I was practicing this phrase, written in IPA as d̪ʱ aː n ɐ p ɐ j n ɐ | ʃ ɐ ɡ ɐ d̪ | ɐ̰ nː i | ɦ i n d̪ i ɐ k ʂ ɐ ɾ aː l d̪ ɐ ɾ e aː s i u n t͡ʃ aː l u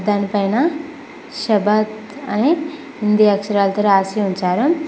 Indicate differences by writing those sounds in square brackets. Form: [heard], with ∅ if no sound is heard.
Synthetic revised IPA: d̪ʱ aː n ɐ p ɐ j n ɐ | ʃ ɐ [b] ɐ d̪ | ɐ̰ [n] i | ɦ i n d̪ i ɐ k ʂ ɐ ɾ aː l [t̪] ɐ ɾ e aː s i u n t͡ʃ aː [ɾ] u